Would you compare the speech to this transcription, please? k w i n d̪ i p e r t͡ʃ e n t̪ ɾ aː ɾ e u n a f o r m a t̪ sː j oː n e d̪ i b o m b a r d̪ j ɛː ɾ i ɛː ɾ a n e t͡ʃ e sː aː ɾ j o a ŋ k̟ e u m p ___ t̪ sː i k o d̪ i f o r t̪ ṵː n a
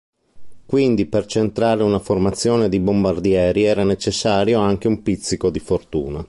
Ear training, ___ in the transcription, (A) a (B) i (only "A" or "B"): B